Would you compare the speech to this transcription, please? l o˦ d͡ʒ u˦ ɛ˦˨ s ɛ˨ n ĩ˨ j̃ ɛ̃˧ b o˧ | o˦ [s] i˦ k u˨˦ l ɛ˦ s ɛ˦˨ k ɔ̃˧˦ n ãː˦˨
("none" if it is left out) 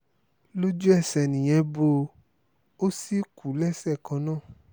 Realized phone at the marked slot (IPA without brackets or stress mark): s